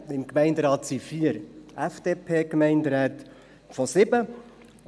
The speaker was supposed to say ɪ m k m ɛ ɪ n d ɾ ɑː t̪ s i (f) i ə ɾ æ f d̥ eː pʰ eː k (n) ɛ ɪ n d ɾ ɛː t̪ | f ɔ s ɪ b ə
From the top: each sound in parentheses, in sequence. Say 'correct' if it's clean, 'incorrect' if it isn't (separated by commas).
correct, incorrect